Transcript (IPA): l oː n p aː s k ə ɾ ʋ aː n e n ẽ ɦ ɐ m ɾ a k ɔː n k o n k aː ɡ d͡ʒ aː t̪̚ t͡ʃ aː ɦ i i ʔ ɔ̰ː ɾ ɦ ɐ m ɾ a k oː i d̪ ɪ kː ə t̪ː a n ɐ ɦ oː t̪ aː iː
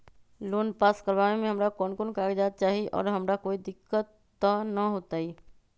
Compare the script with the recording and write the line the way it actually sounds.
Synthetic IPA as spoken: l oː n p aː s k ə ɾ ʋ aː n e m ẽ ɦ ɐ m ɾ a k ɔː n k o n k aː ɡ d͡ʒ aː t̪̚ t͡ʃ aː ɦ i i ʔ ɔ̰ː ɾ ɦ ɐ m ɾ a k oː i d̪ ɪ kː ə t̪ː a n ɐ ɦ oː t̪ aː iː

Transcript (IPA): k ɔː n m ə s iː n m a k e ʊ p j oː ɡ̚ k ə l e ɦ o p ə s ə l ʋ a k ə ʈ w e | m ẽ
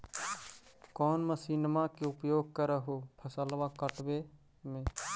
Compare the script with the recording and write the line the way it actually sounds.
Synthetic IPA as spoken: k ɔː n m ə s iː n m a k e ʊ p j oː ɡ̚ k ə ɾ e ɦ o pʰ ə s ə l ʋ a k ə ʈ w e | m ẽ

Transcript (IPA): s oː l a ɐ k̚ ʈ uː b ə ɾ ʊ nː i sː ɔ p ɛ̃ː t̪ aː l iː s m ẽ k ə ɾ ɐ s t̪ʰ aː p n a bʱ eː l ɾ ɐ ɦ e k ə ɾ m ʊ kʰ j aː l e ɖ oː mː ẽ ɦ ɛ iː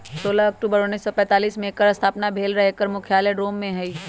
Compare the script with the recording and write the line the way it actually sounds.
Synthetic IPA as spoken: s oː l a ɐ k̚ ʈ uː b ə ɾ ʊ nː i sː ɔ p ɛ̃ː t̪ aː l iː s m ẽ k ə ɾ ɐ s t̪ʰ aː p n a bʱ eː l ɾ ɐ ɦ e k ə ɾ m ʊ kʰ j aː l e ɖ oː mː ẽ ɦ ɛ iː

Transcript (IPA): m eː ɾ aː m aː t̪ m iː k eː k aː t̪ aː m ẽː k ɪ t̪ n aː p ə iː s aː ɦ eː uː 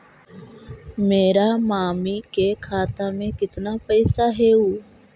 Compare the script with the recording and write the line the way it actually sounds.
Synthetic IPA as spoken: m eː ɾ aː m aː m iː k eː kʰ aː t̪ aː m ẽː k ɪ t̪ n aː p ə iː s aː ɦ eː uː

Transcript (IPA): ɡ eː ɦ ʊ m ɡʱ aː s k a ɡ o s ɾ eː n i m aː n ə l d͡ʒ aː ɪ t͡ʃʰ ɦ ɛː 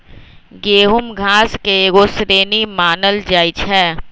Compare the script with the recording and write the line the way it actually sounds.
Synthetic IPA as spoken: ɡ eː ɦ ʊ m ɡʱ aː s k e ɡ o s ɾ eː n i m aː n ə l d͡ʒ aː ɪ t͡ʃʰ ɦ ɛː

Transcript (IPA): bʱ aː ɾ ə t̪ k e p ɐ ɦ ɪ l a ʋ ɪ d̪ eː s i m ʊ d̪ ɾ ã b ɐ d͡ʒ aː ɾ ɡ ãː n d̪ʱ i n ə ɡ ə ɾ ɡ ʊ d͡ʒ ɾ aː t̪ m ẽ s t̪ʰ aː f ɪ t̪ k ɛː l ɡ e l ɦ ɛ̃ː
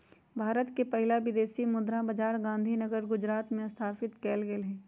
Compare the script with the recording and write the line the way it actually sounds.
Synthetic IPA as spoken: bʱ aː ɾ ə t̪ k e p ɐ ɦ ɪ l a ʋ ɪ d̪ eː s i m ʊ d̪ ɾ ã b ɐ d͡ʒ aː ɾ ɡ ãː n d̪ʱ i n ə ɡ ə ɾ ɡ ʊ d͡ʒ ɾ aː t̪ m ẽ s t̪ʰ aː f ɪ t̪ k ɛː l ɡ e l ɦ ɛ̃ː

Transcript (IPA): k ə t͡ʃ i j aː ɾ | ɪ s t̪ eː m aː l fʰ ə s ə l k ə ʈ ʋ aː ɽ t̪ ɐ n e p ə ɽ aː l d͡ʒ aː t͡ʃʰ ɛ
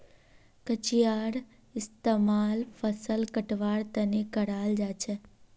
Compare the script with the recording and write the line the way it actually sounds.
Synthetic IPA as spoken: k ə t͡ʃ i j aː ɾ | ɪ s t̪ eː m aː l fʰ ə s ə l k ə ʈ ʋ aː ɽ t̪ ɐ n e k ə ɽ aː l d͡ʒ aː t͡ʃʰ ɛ

